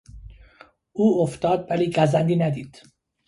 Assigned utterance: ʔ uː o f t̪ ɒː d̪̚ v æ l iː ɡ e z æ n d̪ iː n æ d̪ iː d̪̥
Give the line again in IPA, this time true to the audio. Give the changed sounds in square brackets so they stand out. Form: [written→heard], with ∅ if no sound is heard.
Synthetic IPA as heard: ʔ uː o f t̪ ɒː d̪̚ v æ l iː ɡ [e→æ] z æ n d̪ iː n æ d̪ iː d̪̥

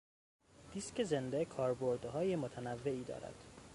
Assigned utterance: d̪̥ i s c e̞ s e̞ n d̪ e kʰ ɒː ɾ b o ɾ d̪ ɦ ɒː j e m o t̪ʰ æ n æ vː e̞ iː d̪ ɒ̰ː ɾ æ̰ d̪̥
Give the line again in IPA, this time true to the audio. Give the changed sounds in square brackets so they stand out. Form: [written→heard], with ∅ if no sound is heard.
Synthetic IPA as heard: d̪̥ i s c e̞ [s→z] e̞ n d̪ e kʰ ɒː ɾ b o ɾ d̪ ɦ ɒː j e m o t̪ʰ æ n æ vː e̞ iː d̪ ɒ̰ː ɾ æ̰ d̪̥

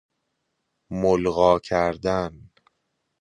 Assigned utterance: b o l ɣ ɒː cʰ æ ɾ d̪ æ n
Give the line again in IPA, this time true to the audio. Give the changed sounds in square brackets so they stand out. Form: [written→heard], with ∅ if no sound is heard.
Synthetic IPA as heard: [b→m] o l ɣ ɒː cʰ æ ɾ d̪ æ n

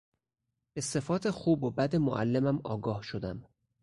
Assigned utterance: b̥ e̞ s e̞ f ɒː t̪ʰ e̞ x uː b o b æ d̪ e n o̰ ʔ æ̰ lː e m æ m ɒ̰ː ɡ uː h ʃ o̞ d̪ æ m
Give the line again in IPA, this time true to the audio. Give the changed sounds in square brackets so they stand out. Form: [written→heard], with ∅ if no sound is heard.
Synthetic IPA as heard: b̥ e̞ s e̞ f ɒː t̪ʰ e̞ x uː b o b æ d̪ e [n→m] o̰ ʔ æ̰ lː e m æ m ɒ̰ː ɡ [uː→ɒː] h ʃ o̞ d̪ æ m

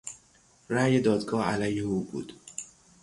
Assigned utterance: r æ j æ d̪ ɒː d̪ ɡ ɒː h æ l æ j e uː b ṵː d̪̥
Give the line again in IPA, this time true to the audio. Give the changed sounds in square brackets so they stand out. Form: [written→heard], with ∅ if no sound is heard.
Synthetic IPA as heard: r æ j [æ→e] d̪ ɒː d̪ ɡ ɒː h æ l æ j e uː b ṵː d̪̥

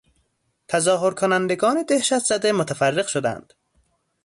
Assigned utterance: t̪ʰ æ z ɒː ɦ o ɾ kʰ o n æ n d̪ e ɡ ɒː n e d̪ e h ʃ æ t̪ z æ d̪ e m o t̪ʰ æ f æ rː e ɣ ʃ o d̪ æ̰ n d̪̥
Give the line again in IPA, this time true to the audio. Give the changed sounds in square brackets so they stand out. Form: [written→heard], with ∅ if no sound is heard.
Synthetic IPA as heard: t̪ʰ æ z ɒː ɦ o ɾ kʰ o n æ n d̪ e ɡ ɒː n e d̪ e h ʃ æ t̪ z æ d̪ e m o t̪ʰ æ f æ rː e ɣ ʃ o d̪ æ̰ n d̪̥

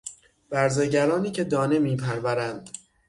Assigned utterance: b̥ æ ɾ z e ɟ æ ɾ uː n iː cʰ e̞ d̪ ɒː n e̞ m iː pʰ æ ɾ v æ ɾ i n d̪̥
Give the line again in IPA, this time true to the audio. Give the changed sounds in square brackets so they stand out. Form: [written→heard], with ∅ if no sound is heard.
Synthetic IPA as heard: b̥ æ ɾ z e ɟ æ ɾ [uː→ɒː] n iː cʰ e̞ d̪ ɒː n e̞ m iː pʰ æ ɾ v æ ɾ [i→æ] n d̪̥

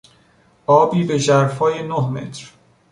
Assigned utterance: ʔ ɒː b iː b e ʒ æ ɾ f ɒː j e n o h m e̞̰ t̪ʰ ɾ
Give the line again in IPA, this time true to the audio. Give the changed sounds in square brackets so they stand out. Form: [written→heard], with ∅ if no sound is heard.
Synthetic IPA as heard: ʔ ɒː b iː b e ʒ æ ɾ f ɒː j e n o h m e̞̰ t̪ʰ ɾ

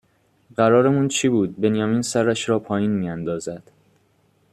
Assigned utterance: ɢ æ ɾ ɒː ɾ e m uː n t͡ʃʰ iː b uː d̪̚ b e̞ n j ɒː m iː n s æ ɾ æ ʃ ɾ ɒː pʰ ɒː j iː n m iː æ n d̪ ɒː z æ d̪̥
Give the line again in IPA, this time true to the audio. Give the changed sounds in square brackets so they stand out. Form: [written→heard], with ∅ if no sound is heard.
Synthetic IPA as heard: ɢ æ ɾ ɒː ɾ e m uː n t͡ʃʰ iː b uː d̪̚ b e̞ n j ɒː m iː n s æ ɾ æ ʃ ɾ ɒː pʰ ɒː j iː n m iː æ n d̪ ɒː z æ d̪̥

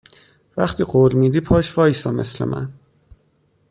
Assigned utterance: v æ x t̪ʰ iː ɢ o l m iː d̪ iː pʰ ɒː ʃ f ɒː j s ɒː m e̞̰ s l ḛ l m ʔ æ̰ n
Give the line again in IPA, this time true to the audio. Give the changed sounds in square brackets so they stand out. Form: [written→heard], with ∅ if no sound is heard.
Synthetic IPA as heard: v æ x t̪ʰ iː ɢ o l m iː d̪ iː pʰ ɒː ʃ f ɒː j s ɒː m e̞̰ s l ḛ [l→∅] m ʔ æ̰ n

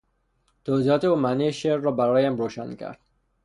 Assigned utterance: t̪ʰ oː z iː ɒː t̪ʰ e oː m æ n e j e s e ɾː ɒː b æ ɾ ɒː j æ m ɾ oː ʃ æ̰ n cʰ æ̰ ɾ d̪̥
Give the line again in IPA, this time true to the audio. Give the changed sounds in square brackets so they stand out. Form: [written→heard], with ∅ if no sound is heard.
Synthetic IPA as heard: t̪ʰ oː z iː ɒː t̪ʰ e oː m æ n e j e [s→ʃ] e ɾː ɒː b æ ɾ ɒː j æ m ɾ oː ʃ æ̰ n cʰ æ̰ ɾ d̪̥

